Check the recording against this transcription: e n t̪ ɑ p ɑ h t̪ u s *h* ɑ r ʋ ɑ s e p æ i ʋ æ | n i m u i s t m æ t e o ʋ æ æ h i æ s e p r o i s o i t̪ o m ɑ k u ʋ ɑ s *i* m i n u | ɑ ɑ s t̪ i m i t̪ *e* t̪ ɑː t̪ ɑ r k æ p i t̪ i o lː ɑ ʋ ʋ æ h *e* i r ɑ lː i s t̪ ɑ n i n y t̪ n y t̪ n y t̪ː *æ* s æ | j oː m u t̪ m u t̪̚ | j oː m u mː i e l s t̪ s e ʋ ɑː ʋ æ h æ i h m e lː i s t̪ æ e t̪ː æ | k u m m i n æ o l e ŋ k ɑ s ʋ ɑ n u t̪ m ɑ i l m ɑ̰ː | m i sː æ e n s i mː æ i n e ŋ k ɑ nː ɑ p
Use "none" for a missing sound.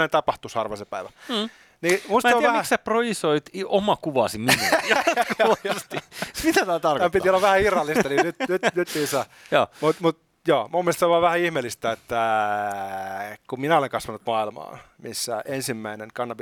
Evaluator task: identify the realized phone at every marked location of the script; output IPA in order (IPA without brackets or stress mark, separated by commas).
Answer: h, i, æ, æ, i